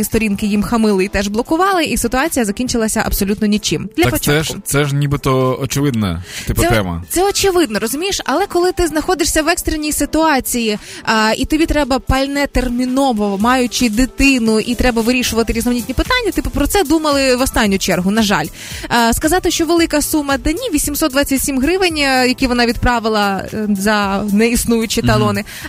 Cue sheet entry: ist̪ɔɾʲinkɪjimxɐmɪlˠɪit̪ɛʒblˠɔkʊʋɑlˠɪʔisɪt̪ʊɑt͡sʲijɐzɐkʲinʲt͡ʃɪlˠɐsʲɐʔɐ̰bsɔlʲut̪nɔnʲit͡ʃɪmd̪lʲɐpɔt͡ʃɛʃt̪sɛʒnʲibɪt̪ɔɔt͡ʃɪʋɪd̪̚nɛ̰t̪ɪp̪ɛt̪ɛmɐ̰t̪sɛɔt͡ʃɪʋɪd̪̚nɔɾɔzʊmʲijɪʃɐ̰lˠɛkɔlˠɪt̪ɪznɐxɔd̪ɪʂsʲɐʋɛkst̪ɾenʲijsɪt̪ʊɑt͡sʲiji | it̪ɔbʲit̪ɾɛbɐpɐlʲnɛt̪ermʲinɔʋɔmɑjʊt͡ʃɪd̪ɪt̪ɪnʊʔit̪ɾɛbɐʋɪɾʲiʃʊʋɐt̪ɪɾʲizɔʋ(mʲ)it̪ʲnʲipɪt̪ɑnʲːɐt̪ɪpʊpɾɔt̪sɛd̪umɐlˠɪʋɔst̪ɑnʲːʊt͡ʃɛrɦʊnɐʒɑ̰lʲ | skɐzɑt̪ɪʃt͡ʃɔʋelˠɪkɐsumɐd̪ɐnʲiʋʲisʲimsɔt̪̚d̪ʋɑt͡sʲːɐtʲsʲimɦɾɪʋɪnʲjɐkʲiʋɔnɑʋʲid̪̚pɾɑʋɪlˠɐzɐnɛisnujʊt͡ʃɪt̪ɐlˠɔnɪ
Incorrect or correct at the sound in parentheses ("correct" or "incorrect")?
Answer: incorrect